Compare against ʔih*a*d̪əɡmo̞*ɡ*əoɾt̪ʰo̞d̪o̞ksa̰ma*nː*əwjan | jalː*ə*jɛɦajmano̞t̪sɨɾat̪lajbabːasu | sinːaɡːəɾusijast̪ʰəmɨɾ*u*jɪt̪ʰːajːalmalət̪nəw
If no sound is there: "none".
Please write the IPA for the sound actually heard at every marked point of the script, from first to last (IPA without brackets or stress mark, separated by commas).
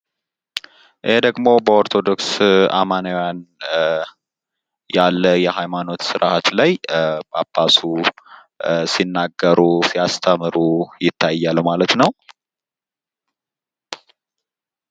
e, b, n, ə, u